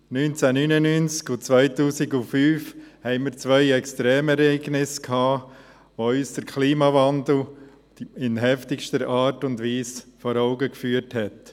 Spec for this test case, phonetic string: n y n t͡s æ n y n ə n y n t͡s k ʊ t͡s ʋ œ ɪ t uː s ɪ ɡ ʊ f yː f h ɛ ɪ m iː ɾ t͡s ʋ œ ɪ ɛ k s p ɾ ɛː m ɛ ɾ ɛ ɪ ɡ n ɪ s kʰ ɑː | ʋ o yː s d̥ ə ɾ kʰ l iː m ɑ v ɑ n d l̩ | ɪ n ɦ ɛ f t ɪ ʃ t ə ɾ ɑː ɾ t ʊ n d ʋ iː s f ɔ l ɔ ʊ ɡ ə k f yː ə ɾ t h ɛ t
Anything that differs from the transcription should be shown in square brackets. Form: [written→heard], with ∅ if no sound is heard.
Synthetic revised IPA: n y n t͡s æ n y n ə n y n t͡s k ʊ t͡s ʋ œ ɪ t uː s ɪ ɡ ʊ f yː f h ɛ ɪ m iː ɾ t͡s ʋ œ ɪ ɛ k s [p→t] ɾ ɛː m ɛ ɾ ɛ ɪ ɡ n ɪ s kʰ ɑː | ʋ o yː s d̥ ə ɾ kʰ l iː m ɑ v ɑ n d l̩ | ɪ n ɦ ɛ f t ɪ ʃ t ə ɾ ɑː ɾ t ʊ n d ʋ iː s f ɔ [l→ɾ] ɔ ʊ ɡ ə k f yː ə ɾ t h ɛ t